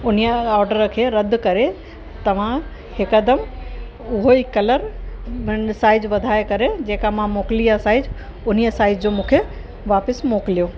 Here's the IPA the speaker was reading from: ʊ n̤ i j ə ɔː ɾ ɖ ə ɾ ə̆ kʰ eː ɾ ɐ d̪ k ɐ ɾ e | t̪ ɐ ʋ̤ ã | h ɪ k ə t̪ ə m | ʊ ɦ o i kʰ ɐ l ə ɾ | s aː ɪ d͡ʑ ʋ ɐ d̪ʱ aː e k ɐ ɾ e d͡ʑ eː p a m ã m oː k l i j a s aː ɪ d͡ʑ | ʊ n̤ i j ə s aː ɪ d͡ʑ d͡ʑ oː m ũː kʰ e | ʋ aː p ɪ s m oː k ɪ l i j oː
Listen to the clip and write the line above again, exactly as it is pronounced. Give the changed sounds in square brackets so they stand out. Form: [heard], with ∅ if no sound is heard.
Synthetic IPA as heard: ʊ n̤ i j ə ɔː ɾ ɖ ə ɾ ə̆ kʰ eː ɾ ɐ d̪ k ɐ ɾ e | t̪ ɐ ʋ̤ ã | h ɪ k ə [d̪] ə m | ʊ ɦ o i [k] ɐ l ə ɾ | s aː ɪ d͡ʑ ʋ ɐ d̪ʱ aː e k ɐ ɾ e d͡ʑ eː [k] a m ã m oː k l i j a s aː ɪ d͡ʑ | ʊ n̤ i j ə s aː ɪ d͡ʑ d͡ʑ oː m ũː kʰ e | ʋ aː p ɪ s m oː k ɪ l i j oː